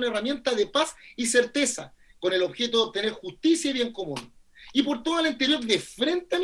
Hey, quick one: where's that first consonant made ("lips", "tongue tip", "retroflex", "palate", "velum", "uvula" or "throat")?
tongue tip